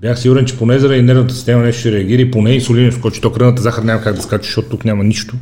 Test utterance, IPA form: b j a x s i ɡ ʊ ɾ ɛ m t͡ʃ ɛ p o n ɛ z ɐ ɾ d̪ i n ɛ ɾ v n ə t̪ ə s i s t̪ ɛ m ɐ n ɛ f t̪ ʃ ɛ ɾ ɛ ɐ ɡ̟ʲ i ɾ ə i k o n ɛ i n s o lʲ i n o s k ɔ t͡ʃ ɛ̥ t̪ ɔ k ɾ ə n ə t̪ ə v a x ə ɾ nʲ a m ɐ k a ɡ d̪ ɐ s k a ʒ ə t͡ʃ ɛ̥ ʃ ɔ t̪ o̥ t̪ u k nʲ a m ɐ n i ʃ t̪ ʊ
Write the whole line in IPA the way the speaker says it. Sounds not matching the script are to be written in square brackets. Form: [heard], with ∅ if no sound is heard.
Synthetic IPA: b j a x s i ɡ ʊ ɾ ɛ [n] t͡ʃ ɛ p o n ɛ z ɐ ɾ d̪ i n ɛ ɾ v n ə t̪ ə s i s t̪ ɛ m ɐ n ɛ [ʃ] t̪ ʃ ɛ ɾ ɛ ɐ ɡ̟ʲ i ɾ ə i [p] o n ɛ i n s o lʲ i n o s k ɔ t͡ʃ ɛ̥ t̪ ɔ k ɾ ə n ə t̪ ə [z] a x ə ɾ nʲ a m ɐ k a ɡ d̪ ɐ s k a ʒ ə t͡ʃ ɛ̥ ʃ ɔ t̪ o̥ t̪ u k nʲ a m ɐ n i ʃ t̪ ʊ